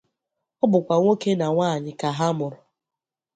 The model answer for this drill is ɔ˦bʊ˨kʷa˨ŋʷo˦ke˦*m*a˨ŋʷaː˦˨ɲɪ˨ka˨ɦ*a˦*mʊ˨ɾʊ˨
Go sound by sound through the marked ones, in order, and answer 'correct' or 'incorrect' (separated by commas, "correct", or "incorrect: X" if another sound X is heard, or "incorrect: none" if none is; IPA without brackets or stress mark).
incorrect: n, correct